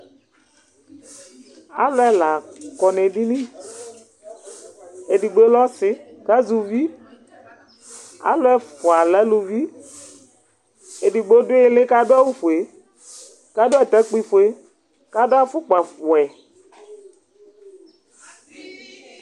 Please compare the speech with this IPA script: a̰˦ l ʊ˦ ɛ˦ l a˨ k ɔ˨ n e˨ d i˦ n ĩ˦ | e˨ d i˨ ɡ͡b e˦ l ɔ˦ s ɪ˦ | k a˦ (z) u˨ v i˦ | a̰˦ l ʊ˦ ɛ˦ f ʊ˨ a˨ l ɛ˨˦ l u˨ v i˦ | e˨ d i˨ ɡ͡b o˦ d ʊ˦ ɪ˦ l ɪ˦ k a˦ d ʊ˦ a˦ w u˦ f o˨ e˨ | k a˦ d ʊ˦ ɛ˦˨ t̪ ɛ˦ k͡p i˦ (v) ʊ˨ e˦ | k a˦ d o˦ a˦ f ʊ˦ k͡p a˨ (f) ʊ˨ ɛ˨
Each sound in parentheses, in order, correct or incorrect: correct, incorrect: f, correct

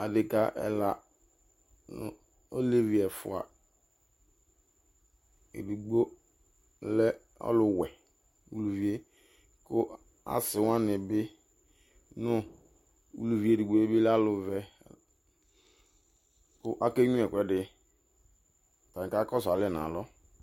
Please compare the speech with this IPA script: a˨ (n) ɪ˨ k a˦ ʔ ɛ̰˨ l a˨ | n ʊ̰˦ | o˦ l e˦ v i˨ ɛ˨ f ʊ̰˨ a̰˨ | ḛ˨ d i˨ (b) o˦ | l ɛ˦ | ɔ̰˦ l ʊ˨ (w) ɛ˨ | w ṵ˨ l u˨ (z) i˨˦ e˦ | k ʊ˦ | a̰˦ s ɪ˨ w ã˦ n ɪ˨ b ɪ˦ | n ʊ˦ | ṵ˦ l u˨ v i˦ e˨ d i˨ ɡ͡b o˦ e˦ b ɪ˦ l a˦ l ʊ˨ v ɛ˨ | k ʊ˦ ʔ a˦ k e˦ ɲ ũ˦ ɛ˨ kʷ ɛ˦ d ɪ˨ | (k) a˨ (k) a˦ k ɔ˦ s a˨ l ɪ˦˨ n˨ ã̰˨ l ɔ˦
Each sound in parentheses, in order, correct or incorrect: incorrect: d, incorrect: ɡ͡b, correct, incorrect: v, incorrect: t, correct

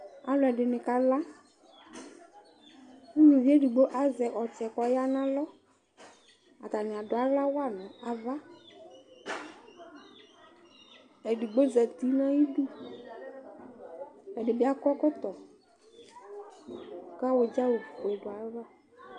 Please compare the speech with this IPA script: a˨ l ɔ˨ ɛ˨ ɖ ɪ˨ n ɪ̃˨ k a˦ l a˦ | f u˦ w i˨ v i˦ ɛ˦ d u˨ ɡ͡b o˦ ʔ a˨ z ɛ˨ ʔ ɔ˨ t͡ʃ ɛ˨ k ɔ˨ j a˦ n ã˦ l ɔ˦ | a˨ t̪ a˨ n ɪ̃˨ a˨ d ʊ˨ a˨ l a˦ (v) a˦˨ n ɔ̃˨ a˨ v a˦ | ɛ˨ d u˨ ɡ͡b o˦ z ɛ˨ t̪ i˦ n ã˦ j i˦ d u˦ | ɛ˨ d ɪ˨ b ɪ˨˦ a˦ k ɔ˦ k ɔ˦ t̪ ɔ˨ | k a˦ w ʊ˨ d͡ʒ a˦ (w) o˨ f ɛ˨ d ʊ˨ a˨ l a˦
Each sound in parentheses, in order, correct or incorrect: incorrect: w, correct

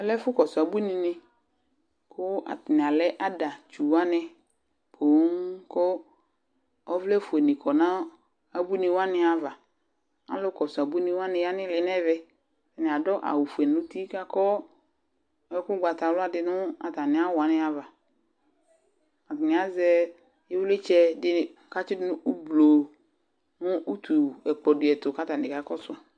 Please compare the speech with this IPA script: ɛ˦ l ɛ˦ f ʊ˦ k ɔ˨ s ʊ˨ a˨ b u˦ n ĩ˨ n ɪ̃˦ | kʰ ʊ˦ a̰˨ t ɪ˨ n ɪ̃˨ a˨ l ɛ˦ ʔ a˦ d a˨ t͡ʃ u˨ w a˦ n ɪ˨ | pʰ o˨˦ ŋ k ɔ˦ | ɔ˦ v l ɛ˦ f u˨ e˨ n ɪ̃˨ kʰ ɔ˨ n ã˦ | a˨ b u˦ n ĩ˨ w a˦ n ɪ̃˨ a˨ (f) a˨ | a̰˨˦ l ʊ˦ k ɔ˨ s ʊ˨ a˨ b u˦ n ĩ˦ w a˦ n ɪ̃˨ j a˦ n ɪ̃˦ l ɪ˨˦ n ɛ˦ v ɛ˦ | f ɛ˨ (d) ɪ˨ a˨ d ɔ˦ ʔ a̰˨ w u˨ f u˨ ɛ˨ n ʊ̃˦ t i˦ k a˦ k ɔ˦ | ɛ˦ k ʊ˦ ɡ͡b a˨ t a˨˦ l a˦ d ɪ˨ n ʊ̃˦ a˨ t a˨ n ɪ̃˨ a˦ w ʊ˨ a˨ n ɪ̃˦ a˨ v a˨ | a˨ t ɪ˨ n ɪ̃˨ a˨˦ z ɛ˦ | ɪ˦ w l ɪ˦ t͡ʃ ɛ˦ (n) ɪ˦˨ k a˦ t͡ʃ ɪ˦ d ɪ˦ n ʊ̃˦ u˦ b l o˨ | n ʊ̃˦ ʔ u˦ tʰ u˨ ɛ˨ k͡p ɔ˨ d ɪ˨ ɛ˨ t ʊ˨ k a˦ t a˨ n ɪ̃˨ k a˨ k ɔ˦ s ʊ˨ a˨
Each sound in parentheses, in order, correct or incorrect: incorrect: v, incorrect: n, incorrect: d

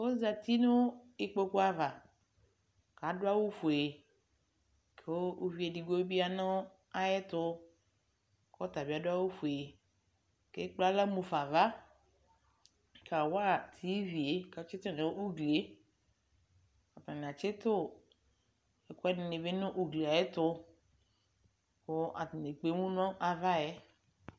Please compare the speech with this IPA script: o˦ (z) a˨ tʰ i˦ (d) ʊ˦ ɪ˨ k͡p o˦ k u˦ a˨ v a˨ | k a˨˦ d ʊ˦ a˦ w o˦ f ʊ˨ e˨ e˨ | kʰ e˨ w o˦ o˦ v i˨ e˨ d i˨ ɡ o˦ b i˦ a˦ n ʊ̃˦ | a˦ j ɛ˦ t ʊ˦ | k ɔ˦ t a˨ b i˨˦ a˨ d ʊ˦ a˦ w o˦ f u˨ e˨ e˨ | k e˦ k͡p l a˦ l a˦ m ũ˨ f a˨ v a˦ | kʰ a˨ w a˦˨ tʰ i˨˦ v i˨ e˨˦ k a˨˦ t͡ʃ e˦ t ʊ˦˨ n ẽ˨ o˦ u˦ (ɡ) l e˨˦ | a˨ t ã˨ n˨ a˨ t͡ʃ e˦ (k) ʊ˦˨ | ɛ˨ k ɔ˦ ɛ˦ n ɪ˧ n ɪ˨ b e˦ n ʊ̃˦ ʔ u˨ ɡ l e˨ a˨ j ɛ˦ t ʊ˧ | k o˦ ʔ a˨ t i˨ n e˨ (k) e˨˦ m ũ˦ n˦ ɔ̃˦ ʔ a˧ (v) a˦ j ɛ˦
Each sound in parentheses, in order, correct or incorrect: correct, incorrect: n, correct, incorrect: t, incorrect: k͡p, correct

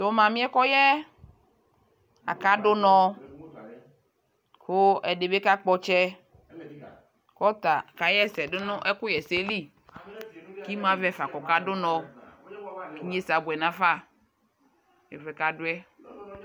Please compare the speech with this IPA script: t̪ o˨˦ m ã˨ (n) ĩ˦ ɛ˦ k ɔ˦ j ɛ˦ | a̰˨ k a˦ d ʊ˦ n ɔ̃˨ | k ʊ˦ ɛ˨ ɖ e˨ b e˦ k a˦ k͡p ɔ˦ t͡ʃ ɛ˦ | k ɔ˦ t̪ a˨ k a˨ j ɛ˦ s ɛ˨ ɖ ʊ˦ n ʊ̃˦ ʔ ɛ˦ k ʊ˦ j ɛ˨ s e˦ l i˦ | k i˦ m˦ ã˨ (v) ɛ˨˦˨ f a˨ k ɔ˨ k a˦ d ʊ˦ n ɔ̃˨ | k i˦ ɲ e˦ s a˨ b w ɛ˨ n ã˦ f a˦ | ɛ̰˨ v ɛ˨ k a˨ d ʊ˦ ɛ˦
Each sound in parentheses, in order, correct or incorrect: incorrect: m, correct

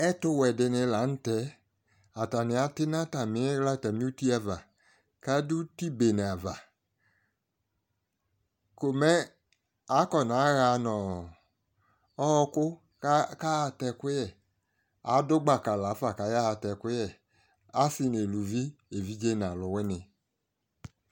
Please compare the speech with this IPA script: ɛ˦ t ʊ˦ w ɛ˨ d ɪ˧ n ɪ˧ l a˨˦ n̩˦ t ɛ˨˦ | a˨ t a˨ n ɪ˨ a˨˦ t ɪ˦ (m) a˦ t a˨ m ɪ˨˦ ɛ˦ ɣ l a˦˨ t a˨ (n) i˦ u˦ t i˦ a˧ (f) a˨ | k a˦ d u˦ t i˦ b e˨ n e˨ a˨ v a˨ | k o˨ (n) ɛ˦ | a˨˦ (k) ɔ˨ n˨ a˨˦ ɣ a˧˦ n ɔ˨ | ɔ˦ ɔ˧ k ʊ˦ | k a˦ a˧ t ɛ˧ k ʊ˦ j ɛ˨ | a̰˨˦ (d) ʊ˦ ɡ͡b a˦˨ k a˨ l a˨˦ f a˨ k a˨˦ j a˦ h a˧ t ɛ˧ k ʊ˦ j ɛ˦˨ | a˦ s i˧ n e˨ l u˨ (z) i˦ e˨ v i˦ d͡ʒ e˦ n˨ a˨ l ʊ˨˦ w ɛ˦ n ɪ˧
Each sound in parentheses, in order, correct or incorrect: incorrect: n, incorrect: m, incorrect: v, incorrect: m, correct, correct, incorrect: v

